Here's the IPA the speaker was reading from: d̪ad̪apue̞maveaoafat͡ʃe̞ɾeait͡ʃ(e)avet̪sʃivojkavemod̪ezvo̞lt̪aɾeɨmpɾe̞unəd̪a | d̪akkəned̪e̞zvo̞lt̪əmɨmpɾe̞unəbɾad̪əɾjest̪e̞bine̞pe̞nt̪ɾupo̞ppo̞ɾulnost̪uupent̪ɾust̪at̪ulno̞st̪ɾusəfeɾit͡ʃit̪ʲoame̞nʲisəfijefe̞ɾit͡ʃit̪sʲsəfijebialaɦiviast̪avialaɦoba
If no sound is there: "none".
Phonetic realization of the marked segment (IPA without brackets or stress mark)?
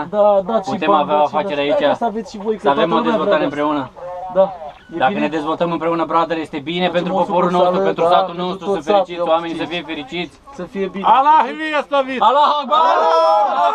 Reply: a